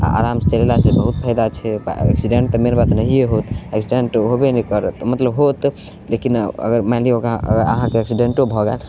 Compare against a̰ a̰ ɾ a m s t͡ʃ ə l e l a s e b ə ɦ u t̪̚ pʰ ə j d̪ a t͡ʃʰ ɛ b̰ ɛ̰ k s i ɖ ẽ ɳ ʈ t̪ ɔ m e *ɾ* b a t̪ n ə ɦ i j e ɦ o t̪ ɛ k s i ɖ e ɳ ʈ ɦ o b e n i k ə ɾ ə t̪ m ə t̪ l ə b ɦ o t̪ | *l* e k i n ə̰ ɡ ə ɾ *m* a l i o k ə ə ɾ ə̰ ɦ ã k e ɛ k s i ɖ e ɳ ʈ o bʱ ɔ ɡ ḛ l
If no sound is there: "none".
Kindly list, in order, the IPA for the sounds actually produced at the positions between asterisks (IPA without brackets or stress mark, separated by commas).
ɾ, l, m